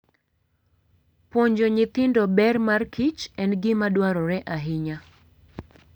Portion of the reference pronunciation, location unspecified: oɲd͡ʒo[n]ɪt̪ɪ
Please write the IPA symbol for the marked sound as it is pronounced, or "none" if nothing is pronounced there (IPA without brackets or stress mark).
ɲ